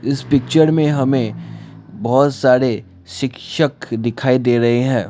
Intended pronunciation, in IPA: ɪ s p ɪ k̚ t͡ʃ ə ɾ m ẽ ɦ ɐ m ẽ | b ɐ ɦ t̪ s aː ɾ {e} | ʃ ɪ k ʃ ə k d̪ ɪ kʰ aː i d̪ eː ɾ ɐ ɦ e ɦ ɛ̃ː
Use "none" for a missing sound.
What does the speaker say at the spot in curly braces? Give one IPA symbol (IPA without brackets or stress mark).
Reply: e